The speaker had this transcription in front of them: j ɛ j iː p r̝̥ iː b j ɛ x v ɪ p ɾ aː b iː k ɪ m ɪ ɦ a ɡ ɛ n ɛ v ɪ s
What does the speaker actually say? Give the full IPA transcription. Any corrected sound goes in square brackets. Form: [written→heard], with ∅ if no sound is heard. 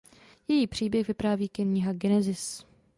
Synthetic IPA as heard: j ɛ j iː p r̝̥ iː b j ɛ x v ɪ p ɾ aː [b→v] iː k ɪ [m→ɲ] ɪ ɦ a ɡ ɛ n ɛ [v→z] ɪ s